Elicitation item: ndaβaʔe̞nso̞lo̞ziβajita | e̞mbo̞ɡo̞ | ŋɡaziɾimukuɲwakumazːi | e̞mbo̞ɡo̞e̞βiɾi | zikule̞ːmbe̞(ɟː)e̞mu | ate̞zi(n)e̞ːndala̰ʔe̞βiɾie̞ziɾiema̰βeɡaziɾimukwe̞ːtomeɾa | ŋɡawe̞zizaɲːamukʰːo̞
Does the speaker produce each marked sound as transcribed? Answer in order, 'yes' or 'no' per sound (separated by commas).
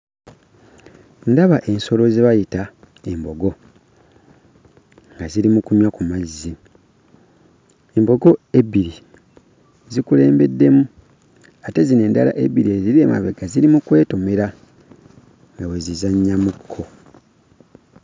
no, yes